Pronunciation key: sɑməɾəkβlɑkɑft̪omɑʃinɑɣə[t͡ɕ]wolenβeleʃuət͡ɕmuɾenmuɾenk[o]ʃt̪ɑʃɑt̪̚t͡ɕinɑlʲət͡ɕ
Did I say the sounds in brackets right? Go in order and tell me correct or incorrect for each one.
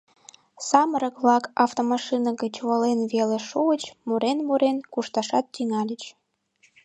correct, incorrect: u

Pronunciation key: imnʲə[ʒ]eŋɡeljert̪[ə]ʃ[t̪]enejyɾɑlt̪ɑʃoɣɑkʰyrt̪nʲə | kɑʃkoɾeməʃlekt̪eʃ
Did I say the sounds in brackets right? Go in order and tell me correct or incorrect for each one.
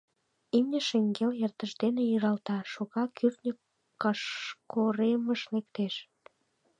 incorrect: ʃ, correct, incorrect: d̪

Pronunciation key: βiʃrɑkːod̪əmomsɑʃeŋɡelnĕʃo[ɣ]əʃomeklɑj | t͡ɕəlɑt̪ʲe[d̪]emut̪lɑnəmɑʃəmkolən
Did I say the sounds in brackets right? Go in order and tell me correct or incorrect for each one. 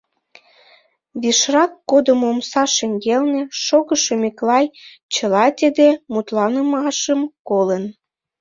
correct, correct

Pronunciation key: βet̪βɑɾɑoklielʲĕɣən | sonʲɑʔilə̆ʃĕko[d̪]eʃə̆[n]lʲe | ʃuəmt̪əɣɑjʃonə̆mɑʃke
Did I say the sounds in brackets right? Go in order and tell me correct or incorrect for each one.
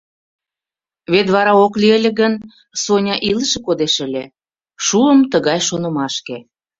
correct, incorrect: none

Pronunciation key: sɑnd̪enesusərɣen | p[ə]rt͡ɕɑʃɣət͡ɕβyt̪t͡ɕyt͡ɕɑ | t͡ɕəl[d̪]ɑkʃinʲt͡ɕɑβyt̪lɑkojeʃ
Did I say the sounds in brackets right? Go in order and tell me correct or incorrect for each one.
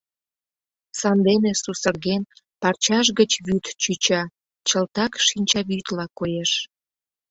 incorrect: ɑ, incorrect: t̪

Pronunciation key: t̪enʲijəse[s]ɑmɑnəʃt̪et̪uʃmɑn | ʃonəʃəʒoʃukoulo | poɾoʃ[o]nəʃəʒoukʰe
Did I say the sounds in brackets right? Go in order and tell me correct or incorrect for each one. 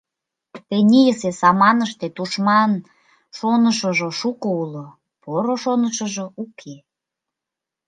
correct, correct

